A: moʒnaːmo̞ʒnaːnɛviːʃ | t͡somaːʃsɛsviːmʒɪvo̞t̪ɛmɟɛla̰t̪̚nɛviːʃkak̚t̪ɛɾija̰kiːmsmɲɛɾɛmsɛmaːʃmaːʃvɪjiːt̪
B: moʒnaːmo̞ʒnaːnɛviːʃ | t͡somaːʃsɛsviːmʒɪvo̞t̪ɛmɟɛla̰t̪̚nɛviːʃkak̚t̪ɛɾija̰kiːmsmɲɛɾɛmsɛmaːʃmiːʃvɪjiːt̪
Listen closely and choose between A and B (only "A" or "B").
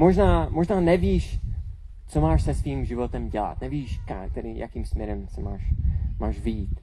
A